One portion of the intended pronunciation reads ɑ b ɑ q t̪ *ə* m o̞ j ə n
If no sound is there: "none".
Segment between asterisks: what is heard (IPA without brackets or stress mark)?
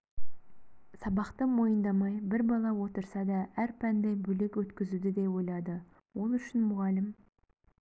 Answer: ə